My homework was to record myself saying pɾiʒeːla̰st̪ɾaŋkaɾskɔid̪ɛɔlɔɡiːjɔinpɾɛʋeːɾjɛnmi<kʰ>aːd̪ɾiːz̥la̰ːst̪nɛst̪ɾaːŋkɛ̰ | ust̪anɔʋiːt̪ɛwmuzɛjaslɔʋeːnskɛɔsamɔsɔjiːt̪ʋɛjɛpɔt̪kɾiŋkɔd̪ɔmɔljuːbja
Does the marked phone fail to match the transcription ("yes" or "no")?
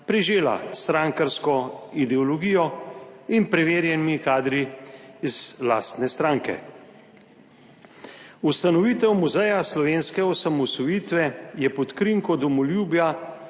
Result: yes